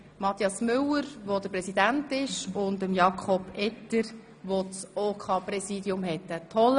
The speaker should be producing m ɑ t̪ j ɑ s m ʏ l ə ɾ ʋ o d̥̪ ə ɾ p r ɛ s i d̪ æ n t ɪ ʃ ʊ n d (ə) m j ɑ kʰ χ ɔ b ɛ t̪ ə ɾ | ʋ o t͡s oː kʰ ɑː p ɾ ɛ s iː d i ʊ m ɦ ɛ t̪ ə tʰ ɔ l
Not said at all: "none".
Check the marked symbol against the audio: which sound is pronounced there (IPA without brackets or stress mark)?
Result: ə